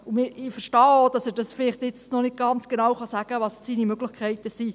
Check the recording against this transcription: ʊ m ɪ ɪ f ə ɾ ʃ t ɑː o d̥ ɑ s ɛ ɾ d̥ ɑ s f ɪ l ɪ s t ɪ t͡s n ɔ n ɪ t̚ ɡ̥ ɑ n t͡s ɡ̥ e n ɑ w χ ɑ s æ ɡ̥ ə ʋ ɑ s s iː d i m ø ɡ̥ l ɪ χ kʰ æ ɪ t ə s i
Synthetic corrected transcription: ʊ m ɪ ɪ f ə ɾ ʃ t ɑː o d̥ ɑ s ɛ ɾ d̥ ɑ s f ɪ l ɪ χ t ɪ t͡s n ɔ n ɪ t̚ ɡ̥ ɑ n t͡s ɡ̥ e n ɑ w χ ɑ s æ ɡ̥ ə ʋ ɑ s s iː n i m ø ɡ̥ l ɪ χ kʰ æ ɪ t ə s i